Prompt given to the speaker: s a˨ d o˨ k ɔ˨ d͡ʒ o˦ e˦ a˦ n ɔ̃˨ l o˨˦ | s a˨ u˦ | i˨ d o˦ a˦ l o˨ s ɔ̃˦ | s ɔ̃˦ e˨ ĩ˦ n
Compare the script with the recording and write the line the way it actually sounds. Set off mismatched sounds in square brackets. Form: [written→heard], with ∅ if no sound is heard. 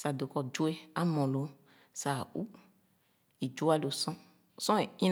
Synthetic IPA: s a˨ d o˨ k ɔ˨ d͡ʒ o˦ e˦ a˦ [n→m] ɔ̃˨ l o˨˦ | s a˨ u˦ | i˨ [d→d͡ʒ] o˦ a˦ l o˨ s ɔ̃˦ | s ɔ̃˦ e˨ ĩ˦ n